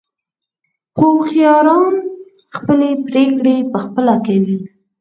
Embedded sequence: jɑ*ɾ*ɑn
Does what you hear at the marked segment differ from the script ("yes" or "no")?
no